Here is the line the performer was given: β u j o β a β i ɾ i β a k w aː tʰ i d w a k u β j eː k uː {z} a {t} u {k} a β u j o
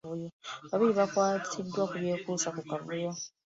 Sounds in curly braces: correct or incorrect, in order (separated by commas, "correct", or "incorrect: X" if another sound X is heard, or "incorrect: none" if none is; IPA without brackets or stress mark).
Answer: incorrect: s, incorrect: k, correct